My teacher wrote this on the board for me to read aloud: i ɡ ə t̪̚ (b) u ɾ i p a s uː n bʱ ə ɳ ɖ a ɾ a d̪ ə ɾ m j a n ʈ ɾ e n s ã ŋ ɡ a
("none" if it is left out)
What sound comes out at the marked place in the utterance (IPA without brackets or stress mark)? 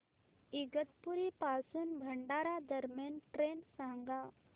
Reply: p